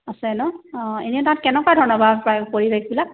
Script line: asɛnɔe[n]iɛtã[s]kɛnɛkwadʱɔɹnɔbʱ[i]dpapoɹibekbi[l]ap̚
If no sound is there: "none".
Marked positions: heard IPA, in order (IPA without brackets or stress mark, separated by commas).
n, t, a, l